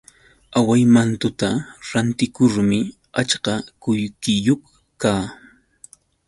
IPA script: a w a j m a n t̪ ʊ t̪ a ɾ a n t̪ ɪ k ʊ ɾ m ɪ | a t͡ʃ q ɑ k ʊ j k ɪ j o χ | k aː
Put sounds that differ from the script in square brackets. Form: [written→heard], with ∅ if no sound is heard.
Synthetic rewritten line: a w a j m a n t̪ ʊ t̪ a ɾ a n t̪ ɪ k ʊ ɾ m ɪ | a t͡ʃ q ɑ k ʊ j k ɪ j o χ | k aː